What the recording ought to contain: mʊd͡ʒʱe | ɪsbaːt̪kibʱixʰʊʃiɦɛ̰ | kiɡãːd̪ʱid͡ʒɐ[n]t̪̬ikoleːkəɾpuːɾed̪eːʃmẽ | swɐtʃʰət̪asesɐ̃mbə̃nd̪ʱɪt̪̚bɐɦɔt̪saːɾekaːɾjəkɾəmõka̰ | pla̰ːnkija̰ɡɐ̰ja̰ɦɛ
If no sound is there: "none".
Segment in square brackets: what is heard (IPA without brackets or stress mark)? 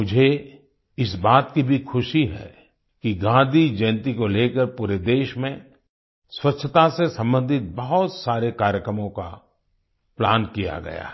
n